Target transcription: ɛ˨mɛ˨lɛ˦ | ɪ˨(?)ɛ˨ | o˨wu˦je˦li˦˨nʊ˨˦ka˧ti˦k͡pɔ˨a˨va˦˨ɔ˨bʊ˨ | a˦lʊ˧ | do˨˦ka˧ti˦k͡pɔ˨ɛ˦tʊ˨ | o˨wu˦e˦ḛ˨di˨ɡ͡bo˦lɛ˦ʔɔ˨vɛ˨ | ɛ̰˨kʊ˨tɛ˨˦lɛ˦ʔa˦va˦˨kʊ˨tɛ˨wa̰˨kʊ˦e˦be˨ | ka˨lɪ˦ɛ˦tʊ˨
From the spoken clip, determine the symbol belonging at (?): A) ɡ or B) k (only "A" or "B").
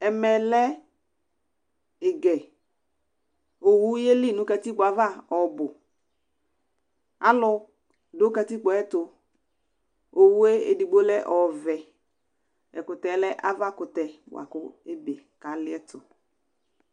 A